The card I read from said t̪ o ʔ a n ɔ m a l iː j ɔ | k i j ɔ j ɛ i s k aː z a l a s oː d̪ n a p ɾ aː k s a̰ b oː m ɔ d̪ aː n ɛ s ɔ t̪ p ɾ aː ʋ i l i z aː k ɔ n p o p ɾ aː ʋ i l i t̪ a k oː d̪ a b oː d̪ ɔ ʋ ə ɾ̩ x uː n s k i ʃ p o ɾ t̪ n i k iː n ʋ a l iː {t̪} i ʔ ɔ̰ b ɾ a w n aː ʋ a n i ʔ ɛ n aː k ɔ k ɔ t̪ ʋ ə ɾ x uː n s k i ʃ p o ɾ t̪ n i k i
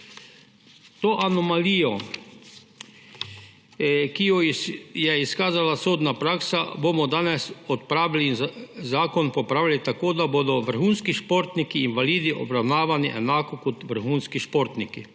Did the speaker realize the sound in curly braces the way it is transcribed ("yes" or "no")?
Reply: no